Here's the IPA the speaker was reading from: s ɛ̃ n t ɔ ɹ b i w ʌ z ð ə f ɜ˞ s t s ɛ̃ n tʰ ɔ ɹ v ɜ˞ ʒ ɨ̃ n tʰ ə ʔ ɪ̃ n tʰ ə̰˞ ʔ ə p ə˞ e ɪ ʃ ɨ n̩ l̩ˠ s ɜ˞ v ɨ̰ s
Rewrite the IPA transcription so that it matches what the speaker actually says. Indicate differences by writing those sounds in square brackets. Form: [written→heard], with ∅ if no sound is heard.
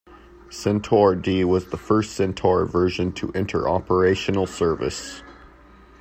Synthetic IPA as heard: s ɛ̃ n [t→tʰ] ɔ ɹ [b→d] i w ʌ z ð ə f ɜ˞ s t s ɛ̃ n tʰ ɔ ɹ v ɜ˞ ʒ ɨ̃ n tʰ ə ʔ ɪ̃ n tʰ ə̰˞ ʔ [ə→ɑ] p ə˞ e ɪ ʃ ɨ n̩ l̩ˠ s ɜ˞ v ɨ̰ s